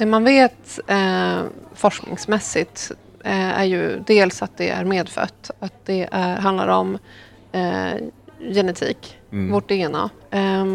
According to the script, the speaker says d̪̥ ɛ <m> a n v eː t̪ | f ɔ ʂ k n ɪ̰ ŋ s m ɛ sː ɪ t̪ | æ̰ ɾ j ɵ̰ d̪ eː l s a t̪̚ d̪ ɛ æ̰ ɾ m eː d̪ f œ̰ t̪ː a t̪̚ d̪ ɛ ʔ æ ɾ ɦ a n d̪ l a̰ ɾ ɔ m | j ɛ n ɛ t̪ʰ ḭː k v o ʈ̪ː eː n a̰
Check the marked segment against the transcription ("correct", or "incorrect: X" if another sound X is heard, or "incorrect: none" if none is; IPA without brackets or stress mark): correct